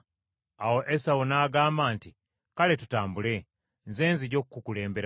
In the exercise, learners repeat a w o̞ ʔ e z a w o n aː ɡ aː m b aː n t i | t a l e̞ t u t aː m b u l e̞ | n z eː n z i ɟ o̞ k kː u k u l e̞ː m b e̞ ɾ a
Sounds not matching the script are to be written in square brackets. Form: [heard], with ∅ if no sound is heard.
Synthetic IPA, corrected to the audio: a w o̞ ʔ e [s] a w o n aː ɡ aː m b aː n t i | [k] a l e̞ t u t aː m b u l e̞ | n z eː n z i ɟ o̞ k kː u k u l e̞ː m b e̞ ɾ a